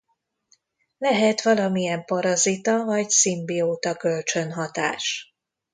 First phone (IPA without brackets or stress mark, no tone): l